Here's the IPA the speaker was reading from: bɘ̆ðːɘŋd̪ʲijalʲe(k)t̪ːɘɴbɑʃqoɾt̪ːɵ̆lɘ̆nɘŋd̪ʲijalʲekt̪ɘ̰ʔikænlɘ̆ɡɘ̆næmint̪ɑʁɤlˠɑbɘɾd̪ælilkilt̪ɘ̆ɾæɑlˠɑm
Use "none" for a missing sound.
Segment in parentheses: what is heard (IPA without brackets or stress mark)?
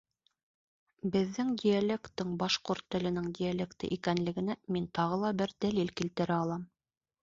k